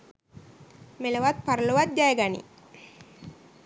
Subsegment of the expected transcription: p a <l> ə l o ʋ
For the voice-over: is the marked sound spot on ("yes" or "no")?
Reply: no